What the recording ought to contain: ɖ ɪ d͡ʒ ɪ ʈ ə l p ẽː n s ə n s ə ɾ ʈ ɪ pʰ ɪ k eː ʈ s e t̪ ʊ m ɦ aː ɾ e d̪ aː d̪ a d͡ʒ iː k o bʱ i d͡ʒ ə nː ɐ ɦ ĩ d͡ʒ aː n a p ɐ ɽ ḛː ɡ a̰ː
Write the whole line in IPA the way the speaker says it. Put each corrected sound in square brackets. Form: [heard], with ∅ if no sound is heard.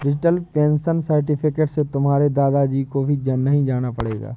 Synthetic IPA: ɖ ɪ d͡ʒ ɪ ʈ ə l p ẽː n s ə n s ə ɾ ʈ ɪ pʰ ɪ k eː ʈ s e t̪ ʊ m ɦ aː ɾ e d̪ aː d̪ a d͡ʒ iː k o bʱ i d͡ʒ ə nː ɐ ɦ ĩ d͡ʒ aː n a p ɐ ɽ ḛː ɡ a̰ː